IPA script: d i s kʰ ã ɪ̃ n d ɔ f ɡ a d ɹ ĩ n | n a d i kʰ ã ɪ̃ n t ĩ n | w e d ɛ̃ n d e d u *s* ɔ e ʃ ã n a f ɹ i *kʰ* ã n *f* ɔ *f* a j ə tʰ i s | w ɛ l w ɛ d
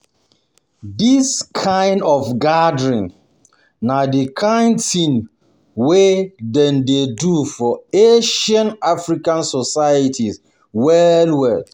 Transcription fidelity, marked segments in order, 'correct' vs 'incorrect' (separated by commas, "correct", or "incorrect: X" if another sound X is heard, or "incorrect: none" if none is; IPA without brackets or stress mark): incorrect: f, incorrect: k, incorrect: s, incorrect: s